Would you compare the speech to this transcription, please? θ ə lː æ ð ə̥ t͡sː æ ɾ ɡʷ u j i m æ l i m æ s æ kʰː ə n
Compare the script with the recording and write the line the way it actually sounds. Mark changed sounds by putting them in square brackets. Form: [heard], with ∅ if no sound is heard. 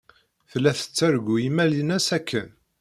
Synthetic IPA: θ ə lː æ [θ] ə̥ t͡sː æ ɾ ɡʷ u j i m æ l i [n] æ s æ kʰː ə n

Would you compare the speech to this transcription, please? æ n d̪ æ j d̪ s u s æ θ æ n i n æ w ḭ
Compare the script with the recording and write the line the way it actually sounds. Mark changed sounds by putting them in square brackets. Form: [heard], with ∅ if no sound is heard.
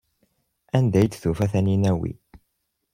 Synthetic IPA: æ n d̪ æ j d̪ [θ] u [f] æ θ æ n i n æ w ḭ

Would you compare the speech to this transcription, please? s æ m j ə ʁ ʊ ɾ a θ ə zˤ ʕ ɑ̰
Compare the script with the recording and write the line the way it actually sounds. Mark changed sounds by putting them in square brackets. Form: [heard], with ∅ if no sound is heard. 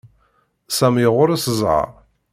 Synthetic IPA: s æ m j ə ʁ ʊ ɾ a [s] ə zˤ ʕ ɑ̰

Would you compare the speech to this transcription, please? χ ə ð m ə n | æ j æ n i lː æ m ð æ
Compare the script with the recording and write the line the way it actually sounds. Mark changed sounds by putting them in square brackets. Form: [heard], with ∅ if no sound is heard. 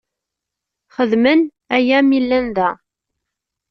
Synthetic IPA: χ ə ð m ə n | æ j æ [m] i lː æ [n] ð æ

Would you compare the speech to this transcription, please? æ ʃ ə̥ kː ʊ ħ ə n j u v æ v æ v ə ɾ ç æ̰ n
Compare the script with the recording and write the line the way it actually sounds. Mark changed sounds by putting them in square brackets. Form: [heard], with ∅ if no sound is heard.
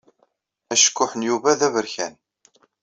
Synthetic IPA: æ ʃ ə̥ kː ʊ ħ ə n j u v æ [ð] æ v ə ɾ ç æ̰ n

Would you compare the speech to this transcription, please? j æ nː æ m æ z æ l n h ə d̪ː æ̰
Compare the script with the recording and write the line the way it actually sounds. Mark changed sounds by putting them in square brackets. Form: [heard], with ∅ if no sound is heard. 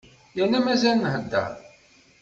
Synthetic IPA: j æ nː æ m æ z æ l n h ə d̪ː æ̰

